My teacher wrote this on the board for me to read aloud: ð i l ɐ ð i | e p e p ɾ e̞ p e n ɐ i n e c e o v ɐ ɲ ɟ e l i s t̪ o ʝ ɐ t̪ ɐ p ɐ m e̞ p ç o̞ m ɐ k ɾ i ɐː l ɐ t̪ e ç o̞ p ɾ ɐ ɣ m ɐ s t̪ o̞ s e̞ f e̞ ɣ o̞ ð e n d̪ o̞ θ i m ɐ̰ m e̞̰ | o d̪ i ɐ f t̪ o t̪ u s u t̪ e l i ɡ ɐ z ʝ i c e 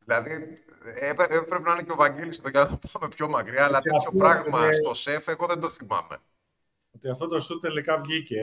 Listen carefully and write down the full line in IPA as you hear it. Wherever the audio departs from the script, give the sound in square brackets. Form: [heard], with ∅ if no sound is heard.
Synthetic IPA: ð i l ɐ ð i | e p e p ɾ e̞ p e n ɐ i n e c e o v ɐ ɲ ɟ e l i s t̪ o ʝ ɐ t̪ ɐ p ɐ m e̞ p ç o̞ m ɐ k ɾ i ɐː l ɐ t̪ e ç o̞ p ɾ ɐ ɣ m ɐ s t̪ o̞ s e̞ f e̞ ɣ o̞ ð e n d̪ o̞ θ i m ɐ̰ m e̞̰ | o [t̪] i ɐ f t̪ o t̪ [o] s u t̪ e l i [k] ɐ [v] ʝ i c e